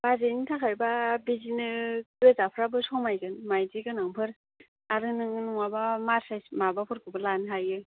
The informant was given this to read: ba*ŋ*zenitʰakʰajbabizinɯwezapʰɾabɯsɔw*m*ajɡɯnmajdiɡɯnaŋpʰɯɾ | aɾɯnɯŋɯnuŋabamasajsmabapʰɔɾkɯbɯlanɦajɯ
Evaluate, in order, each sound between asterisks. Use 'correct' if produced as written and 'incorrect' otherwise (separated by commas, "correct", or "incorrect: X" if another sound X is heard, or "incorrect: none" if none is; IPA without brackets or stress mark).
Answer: incorrect: none, correct